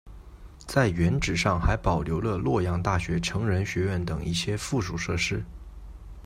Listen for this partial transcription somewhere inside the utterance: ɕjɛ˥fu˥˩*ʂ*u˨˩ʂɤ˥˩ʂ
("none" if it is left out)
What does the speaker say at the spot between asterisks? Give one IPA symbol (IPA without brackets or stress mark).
ʂ